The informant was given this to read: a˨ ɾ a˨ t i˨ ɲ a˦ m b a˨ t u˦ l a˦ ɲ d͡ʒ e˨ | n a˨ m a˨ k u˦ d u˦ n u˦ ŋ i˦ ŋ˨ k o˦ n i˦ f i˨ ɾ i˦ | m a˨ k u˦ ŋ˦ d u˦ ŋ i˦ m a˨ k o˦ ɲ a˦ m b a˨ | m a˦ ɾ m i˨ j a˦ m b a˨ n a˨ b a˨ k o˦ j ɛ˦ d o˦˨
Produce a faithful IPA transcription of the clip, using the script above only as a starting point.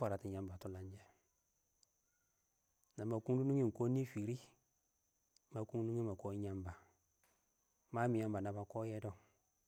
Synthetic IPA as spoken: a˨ ɾ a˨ t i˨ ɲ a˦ m b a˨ t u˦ l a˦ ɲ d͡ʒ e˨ | n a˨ m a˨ k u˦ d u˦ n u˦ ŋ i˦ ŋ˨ k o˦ n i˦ f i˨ ɾ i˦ | m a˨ k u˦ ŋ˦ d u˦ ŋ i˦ m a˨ k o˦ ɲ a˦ m b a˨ | m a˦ m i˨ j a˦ m b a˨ n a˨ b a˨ k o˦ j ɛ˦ d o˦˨